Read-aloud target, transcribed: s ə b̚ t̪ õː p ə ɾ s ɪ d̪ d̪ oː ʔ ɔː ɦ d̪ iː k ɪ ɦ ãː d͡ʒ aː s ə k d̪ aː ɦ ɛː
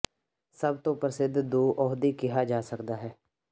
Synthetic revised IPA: s ə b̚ t̪ õː p ə ɾ s ɪ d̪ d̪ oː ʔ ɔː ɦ d̪ iː k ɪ ɦ aː d͡ʒ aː s ə k d̪ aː ɦ ɛː